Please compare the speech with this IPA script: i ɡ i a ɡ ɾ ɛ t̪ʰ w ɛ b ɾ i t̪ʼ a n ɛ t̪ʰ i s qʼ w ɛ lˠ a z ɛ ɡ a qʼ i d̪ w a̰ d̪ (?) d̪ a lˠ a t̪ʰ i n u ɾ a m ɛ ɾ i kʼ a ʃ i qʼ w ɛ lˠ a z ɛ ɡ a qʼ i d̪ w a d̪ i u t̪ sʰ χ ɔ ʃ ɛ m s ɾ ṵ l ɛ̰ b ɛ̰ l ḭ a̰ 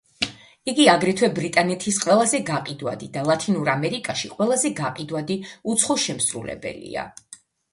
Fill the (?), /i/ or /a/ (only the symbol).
i